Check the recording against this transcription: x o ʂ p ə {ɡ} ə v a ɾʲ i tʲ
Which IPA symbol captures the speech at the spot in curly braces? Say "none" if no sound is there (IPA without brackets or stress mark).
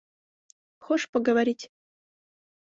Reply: ɡ